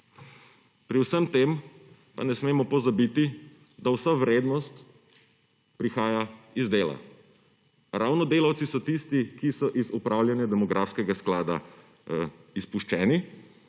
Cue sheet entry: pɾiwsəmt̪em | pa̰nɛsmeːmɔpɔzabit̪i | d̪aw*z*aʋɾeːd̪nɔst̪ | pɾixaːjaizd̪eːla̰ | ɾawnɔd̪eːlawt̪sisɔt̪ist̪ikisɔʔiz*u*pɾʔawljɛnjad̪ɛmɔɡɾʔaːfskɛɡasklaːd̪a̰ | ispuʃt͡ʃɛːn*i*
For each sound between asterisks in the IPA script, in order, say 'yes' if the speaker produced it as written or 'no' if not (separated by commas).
no, yes, yes